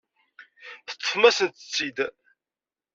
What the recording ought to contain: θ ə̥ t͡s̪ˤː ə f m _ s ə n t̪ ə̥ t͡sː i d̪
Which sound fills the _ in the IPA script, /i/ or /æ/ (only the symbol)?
æ